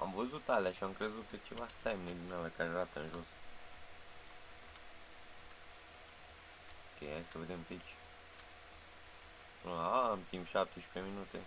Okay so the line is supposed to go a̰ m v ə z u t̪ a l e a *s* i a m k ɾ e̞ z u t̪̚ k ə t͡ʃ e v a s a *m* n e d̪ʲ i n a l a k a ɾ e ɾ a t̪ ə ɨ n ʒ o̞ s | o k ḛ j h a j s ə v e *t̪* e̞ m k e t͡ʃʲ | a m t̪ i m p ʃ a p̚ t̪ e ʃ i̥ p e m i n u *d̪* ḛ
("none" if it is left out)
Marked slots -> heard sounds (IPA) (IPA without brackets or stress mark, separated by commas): ʃ, m, d̪, t̪